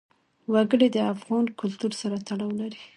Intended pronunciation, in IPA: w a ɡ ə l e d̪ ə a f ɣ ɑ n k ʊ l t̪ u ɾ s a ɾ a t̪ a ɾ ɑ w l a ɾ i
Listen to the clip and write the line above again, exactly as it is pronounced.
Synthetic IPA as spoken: w a ɡ ə ɽ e d̪ ə a f ɣ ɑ n k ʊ l t̪ u ɾ s a ɾ a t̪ a ɽ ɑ w l a ɾ i

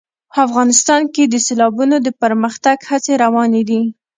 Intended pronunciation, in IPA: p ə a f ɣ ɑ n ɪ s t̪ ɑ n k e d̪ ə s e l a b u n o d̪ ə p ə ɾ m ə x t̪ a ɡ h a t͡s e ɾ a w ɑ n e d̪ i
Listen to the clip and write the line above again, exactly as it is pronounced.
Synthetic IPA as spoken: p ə a f ɣ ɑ n ɪ s t̪ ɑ n k e d̪ ə s e l ɑ b u n o d̪ ə p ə ɾ m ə x t̪ a ɡ h a t͡s e ɾ a w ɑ n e d̪ i

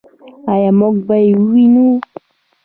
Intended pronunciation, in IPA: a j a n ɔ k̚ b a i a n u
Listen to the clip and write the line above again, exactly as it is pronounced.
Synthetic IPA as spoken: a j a m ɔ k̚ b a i i n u

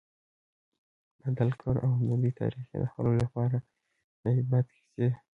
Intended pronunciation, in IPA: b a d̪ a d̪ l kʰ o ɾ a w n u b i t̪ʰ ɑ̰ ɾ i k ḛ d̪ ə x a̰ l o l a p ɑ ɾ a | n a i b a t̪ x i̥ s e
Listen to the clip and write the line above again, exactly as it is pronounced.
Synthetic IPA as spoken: b a d̪ a l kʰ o ɾ a w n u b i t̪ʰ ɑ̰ ɾ i x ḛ d̪ ə x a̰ l o l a p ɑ ɾ a | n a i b a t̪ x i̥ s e

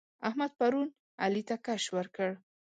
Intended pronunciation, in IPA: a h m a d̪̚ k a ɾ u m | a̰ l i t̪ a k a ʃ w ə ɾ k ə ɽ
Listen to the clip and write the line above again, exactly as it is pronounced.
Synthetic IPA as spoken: a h m a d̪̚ p a ɾ u n | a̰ l i t̪ a k a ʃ w ə ɾ k ə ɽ

